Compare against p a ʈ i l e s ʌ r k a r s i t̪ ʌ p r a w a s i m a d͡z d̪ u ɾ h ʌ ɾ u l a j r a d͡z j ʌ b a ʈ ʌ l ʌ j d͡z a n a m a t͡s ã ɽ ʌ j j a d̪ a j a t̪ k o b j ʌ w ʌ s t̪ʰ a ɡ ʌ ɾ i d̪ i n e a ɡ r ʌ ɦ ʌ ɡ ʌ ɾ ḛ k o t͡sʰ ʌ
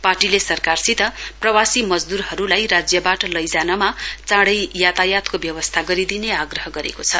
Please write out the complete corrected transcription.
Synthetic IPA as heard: p a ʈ i l e s ʌ r k a r s i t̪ ʌ p r ʌ w a s i m ʌ d͡z d̪ u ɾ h ʌ ɾ u l a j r a d͡z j ʌ b a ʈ ʌ l ʌ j d͡z a n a m a t͡s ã ɽ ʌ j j a t̪ a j a t̪ k o b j ʌ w ʌ s t̪ʰ a ɡ ʌ ɾ i d̪ i n e a ɡ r ʌ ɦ ʌ ɡ ʌ ɾ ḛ k o t͡sʰ ʌ